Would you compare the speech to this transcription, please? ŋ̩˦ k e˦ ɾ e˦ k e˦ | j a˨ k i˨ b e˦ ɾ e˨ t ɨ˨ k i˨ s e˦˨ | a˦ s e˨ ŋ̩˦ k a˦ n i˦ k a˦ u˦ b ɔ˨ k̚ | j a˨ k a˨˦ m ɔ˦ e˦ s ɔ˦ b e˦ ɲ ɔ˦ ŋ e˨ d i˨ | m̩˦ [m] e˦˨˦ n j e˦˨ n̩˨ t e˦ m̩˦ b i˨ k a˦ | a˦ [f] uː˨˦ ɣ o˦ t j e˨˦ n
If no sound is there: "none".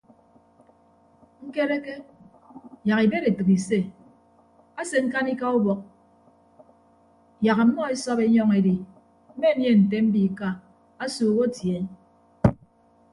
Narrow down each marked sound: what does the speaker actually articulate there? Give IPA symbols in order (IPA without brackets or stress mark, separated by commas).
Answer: m, s